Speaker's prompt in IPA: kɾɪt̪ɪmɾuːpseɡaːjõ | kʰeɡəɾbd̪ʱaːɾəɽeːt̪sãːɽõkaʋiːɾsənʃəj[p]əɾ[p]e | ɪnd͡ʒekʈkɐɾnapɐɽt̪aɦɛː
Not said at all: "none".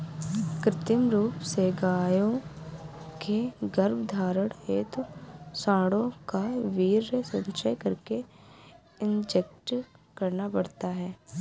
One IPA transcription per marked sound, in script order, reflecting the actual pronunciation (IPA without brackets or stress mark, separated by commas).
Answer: k, k